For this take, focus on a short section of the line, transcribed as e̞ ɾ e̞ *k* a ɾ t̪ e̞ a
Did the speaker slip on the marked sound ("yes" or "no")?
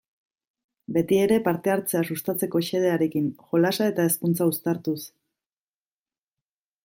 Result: yes